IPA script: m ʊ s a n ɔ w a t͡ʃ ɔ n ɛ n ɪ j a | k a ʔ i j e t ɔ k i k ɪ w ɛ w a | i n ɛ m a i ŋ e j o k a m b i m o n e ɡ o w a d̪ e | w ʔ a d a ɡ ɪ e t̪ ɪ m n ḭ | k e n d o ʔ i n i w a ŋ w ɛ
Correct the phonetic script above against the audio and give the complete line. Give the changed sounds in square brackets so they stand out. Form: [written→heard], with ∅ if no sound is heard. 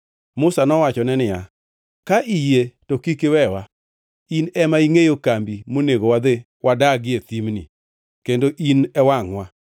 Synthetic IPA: m ʊ s a n ɔ w a t͡ʃ ɔ n ɛ n ɪ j a | k a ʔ i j e t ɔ k i k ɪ w ɛ w a | i n ɛ m a i ŋ e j o k a m b i m o n e ɡ o w a d̪ e | w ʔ a d a ɡ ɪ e t̪ [ɪ→i] m n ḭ | k e n d o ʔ i n [i→ɛ] w a ŋ w [ɛ→a]